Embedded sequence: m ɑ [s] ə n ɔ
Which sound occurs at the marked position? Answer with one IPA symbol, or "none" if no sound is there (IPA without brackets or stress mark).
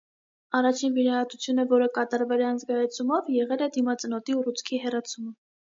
t͡s